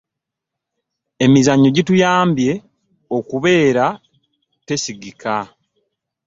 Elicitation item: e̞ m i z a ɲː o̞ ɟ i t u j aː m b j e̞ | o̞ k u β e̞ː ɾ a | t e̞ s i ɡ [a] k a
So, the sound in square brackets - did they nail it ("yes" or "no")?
no